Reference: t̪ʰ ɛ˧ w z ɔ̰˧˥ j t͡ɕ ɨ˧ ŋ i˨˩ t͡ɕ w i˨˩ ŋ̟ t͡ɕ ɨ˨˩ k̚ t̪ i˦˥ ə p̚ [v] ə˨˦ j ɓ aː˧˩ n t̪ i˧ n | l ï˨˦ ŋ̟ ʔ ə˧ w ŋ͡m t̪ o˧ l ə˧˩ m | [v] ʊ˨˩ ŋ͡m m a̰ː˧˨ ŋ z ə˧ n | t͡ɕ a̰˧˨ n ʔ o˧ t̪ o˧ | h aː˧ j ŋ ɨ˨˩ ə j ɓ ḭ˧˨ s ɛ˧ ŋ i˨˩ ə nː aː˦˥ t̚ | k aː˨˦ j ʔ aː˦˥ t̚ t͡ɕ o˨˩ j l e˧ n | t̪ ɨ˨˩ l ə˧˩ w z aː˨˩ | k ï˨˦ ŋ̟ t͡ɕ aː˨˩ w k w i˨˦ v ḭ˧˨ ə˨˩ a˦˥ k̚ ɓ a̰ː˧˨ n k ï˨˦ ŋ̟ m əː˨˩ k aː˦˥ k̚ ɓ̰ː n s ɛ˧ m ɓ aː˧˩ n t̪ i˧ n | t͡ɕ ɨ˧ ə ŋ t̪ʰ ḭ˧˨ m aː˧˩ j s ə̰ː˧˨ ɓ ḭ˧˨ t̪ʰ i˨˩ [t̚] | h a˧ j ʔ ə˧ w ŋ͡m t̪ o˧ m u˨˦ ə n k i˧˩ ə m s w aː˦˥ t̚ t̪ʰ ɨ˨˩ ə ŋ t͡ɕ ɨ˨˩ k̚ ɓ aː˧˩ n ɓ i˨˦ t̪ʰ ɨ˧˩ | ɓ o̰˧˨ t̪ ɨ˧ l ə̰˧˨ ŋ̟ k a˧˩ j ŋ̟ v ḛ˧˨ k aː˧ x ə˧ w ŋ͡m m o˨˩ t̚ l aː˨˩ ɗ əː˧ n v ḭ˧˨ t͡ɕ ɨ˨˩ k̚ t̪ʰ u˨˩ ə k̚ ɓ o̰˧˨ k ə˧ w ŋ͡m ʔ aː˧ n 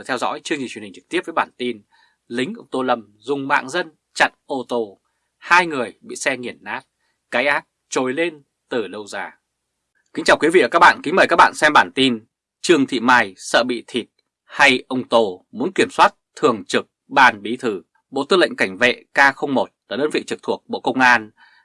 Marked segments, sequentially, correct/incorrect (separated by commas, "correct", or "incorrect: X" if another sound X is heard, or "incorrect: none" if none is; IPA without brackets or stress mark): correct, incorrect: z, correct